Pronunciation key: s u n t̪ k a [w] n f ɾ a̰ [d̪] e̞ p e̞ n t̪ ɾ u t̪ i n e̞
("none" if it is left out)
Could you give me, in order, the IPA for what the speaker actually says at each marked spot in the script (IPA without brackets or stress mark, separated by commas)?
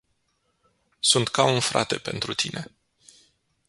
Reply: u, t̪